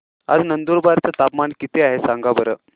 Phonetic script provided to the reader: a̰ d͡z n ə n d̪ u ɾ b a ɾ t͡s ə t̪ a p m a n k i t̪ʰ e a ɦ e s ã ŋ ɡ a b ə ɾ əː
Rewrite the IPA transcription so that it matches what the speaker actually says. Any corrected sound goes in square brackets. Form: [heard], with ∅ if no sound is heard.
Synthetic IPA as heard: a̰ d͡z n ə n d̪ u ɾ b a ɾ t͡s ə t̪ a p m a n k i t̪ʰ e a ɦ e s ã ŋ ɡ a b ə ɾ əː